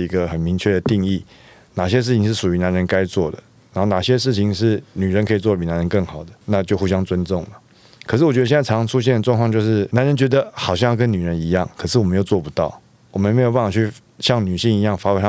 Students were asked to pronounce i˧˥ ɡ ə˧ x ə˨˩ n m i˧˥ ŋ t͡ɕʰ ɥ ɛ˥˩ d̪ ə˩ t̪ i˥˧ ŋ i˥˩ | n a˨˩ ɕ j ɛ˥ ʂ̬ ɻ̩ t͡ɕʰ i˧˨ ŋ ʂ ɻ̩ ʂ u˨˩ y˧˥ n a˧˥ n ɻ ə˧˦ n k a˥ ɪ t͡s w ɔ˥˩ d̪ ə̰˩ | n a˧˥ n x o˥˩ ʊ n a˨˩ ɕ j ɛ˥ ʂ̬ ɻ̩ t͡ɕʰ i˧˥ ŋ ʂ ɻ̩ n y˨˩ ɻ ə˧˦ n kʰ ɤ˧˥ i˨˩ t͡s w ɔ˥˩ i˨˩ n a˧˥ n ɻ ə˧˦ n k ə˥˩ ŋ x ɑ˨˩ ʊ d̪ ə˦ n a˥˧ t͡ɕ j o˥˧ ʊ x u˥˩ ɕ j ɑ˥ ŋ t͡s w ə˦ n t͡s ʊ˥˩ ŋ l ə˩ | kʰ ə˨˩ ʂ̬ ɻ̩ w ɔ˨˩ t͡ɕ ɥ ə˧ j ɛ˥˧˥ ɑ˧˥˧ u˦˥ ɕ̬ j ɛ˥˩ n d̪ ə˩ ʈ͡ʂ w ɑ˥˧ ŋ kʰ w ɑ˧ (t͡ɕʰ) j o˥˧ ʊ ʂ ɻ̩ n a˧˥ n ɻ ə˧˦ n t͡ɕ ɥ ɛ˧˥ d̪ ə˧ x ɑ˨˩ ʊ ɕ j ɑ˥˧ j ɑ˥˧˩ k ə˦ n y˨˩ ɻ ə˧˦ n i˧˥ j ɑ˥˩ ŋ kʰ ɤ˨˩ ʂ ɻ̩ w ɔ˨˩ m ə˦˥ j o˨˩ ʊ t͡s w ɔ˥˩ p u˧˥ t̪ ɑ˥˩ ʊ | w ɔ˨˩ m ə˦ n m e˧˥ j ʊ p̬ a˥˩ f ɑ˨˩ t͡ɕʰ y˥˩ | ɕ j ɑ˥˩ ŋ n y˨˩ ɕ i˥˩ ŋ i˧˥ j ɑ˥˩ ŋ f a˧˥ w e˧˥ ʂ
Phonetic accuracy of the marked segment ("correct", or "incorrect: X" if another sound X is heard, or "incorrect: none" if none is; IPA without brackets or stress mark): incorrect: t͡ɕ